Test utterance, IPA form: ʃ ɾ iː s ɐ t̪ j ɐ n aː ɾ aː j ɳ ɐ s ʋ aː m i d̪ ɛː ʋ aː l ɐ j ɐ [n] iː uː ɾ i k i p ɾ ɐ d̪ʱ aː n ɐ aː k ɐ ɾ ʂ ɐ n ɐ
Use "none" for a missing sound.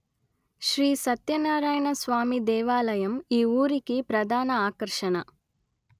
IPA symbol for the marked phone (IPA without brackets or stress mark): m